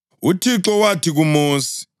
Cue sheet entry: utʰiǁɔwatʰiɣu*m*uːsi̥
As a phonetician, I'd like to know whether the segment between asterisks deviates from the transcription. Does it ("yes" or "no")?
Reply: no